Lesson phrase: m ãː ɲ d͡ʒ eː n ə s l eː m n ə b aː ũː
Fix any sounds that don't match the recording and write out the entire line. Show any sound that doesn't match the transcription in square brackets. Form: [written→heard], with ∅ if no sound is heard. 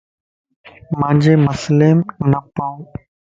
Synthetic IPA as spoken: m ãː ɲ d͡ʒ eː [n→m] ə s l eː m n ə [b→p] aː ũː